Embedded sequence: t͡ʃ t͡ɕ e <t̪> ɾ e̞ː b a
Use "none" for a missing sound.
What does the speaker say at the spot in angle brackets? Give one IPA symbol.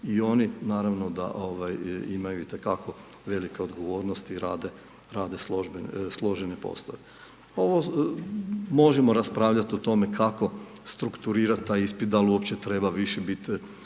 t̪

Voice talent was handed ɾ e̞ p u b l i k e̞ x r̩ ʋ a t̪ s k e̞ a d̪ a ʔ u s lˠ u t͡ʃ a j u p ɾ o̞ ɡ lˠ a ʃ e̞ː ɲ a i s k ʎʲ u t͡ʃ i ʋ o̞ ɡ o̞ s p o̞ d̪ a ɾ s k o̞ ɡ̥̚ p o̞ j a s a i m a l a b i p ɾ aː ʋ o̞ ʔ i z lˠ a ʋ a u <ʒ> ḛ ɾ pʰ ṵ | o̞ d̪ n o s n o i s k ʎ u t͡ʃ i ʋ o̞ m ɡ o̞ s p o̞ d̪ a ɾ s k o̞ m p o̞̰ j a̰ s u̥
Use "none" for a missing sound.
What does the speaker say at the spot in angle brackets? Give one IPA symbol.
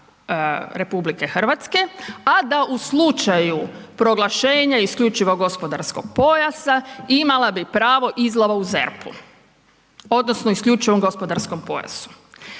z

